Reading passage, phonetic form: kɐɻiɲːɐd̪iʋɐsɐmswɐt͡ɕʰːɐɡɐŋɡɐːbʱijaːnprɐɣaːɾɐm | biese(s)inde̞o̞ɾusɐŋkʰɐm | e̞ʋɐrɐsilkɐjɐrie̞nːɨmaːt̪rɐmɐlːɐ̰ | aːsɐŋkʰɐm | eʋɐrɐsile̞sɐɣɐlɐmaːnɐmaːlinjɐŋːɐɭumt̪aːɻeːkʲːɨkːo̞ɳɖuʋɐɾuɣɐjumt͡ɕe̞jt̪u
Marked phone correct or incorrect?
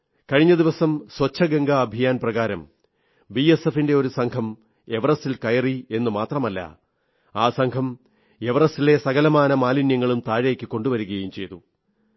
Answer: incorrect